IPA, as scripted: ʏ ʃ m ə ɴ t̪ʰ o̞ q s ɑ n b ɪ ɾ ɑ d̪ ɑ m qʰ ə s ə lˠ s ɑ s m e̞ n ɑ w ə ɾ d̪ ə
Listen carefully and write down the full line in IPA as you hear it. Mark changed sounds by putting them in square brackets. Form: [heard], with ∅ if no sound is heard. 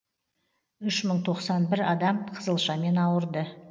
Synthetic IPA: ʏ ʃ m ə ɴ t̪ʰ o̞ q s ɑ n b ɪ ɾ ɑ d̪ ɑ m qʰ ə [z] ə lˠ [ʃ] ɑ [∅] m e̞ n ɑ w ə ɾ d̪ ə